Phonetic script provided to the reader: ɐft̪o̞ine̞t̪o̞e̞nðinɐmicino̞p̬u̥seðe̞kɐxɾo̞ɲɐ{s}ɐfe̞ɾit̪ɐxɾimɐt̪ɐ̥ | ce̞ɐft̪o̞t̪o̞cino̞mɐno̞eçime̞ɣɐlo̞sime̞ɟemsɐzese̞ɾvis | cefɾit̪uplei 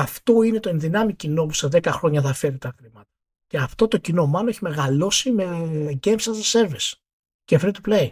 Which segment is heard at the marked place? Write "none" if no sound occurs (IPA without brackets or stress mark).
θ